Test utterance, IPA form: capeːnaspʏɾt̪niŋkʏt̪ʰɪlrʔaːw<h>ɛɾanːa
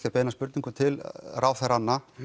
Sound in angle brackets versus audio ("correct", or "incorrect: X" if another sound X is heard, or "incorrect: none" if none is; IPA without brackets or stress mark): incorrect: θ